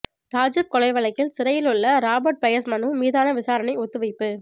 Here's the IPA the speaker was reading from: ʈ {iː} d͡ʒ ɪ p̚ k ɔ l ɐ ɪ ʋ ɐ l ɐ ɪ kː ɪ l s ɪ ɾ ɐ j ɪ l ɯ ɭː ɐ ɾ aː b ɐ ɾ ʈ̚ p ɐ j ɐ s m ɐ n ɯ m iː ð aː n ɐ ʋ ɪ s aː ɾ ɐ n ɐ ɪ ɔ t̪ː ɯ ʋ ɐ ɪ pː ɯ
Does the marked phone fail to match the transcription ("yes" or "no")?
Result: yes